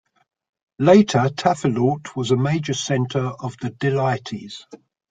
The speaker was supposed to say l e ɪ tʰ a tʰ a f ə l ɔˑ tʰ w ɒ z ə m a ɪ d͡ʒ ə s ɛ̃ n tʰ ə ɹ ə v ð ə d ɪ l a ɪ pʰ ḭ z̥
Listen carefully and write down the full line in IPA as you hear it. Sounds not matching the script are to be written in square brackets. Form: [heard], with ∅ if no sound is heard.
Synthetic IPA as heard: l e ɪ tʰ [ə] tʰ a f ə l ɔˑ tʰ w ɒ z ə m [e] ɪ d͡ʒ ə s ɛ̃ n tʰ ə ɹ ə v ð ə d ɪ l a ɪ [tʰ] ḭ z̥